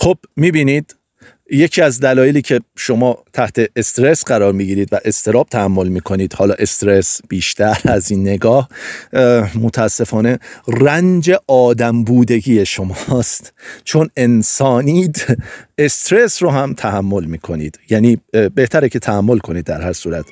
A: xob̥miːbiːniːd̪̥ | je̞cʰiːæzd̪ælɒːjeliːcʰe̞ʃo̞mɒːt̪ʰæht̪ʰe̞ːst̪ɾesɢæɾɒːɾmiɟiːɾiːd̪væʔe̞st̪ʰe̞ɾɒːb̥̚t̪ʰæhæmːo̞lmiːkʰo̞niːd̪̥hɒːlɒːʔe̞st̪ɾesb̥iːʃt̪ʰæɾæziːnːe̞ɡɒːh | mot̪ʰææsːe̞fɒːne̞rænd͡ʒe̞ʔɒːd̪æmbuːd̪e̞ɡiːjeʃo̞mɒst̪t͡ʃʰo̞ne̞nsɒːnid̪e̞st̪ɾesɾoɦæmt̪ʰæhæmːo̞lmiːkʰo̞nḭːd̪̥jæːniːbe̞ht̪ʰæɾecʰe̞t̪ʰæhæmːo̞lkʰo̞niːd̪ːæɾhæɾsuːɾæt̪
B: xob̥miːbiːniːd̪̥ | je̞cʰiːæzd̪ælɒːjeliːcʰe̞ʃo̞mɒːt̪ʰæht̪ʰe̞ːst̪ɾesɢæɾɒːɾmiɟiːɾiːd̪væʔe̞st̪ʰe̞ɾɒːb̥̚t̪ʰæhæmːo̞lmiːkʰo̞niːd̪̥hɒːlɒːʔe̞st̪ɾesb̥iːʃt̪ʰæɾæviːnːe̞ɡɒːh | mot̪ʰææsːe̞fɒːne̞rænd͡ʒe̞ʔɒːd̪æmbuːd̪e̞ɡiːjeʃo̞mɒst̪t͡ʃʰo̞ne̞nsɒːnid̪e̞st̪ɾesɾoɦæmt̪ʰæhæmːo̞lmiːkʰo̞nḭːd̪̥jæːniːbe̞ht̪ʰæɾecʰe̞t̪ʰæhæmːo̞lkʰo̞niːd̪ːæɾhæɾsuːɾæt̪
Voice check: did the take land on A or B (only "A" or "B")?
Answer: A